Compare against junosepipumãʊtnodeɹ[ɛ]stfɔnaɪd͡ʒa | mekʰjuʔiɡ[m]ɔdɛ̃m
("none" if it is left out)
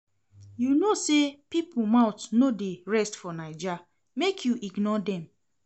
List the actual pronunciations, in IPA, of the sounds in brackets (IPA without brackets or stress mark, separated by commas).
ɛ, n